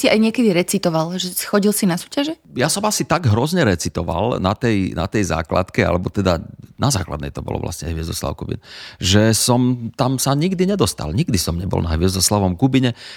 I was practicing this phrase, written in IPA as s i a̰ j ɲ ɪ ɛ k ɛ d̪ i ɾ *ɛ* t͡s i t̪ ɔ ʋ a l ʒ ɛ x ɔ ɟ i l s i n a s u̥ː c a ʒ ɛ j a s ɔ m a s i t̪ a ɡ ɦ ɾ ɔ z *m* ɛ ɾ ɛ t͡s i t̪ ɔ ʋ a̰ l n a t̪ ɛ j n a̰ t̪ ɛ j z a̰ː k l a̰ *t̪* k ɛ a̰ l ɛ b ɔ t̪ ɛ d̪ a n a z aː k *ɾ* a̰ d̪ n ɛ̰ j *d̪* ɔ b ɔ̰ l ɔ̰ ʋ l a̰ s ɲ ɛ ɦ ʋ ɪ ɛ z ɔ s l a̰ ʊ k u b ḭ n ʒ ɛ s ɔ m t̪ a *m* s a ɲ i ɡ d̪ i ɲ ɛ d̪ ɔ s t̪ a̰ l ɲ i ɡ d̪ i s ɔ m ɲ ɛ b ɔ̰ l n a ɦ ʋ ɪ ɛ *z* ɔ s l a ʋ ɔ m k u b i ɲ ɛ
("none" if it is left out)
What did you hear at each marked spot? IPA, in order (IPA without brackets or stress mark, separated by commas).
ɛ, ɲ, t̪, l, t̪, m, z